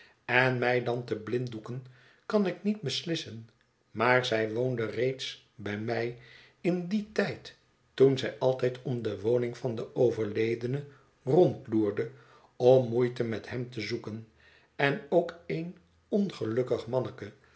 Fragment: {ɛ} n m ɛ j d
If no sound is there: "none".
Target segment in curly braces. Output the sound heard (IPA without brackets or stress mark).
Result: ɛ